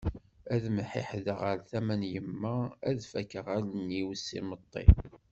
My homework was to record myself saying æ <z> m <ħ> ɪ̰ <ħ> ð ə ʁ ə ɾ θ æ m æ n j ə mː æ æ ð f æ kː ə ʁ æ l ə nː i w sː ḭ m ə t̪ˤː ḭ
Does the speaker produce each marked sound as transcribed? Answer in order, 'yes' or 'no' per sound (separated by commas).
no, yes, yes